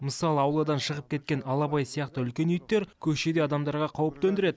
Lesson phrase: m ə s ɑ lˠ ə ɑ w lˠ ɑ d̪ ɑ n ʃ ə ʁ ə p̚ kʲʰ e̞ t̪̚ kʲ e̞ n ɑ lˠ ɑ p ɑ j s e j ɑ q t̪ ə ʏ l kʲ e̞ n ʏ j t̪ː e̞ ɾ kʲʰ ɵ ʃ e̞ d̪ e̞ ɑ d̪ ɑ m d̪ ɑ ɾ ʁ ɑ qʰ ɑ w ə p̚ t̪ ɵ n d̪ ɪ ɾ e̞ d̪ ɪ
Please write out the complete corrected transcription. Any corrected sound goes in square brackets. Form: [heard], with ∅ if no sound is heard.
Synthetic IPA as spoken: m ə s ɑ lˠ ə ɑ w lˠ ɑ d̪ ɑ n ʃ ə ʁ ə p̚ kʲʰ e̞ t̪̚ kʲ e̞ n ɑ lˠ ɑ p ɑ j s [i] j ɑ q t̪ ə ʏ l kʲ e̞ n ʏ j t̪ː e̞ ɾ kʲʰ ɵ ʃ e̞ d̪ e̞ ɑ d̪ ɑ m d̪ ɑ ɾ ʁ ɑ qʰ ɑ w ə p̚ t̪ ɵ n d̪ ɪ ɾ e̞ d̪ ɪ